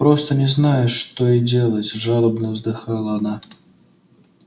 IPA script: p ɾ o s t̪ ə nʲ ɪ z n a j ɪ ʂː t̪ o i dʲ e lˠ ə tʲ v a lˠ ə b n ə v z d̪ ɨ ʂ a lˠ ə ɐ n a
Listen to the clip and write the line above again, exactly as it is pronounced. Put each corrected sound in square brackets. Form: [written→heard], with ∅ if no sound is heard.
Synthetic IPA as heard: p ɾ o s t̪ ə nʲ ɪ z n a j ɪ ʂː t̪ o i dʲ e lˠ ə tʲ [v→ʐ] a lˠ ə b n ə v z d̪ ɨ [ʂ→x] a lˠ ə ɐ n a

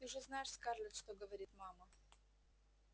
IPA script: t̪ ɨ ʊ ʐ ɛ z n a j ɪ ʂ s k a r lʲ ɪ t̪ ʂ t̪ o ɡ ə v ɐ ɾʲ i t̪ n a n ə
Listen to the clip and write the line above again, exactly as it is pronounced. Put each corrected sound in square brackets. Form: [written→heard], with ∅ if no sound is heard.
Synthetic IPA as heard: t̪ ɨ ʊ ʐ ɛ z n a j ɪ ʂ s k a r lʲ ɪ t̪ ʂ t̪ o ɡ ə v ɐ ɾʲ i t̪ [n→m] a [n→m] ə

